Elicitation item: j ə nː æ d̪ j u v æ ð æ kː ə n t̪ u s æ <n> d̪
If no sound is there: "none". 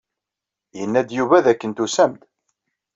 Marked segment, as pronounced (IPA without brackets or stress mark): m